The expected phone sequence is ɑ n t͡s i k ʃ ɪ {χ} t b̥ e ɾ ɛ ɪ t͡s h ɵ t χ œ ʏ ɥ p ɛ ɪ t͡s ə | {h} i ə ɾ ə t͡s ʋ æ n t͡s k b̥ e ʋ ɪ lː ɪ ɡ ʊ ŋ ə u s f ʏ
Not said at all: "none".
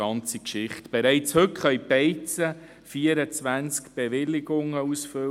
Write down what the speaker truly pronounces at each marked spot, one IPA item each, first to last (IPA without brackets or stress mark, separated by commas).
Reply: χ, f